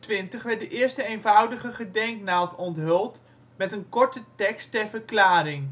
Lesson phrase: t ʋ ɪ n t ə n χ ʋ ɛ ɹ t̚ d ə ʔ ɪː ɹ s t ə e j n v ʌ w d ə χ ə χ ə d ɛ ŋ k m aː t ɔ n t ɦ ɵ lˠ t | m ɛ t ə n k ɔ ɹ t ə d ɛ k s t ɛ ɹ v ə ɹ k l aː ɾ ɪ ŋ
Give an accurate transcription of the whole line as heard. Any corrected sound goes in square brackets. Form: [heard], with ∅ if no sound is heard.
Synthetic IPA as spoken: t ʋ ɪ n t ə [∅] χ ʋ ɛ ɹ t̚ d ə ʔ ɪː ɹ s t ə e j n v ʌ w d ə χ ə χ ə d ɛ ŋ k [n] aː t ɔ n t ɦ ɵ lˠ t | m ɛ t ə n k ɔ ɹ t ə [t] ɛ k s t ɛ ɹ v ə ɹ k l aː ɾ ɪ ŋ